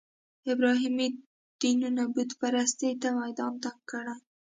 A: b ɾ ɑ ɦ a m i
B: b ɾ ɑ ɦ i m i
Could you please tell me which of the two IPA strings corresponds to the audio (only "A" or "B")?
B